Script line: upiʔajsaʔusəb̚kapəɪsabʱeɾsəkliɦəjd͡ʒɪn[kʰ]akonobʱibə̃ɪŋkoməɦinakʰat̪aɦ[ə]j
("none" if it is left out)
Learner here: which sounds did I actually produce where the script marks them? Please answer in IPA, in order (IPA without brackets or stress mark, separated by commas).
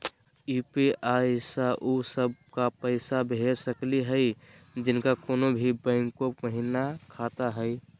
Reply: k, ə